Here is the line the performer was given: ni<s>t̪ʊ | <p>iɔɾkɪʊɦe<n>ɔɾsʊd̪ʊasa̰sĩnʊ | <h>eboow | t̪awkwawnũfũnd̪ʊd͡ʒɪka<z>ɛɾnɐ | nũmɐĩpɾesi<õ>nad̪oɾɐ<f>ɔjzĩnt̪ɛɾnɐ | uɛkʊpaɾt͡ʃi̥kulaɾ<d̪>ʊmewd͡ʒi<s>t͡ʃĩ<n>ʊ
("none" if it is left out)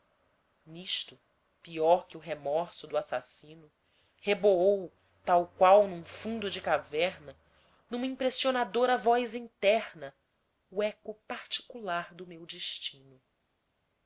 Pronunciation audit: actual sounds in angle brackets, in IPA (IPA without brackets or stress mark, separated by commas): ʃ, p, m, h, v, o, v, d̪, ʃ, n